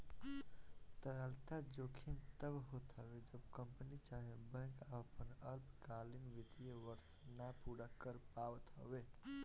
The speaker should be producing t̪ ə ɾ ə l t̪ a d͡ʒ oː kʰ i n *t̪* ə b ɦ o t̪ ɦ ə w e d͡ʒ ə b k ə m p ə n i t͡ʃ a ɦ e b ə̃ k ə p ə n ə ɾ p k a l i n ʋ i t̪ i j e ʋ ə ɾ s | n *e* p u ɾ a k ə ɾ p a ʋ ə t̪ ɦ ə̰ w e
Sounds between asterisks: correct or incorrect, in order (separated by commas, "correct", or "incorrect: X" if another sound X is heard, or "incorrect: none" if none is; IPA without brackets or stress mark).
correct, incorrect: a